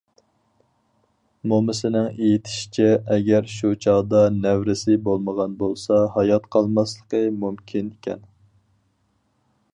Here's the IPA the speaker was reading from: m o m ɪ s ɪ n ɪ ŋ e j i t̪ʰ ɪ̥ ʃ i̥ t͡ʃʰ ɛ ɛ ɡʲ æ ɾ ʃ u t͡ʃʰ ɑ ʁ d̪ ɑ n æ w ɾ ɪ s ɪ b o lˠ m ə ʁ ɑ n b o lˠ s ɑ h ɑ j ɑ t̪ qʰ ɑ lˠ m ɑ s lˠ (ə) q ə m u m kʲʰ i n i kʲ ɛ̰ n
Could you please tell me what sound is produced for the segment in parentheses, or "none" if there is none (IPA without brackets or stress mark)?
ə